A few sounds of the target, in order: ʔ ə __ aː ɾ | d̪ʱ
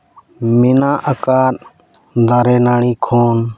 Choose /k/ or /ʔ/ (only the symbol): k